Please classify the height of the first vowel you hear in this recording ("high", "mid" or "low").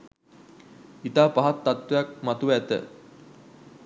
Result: high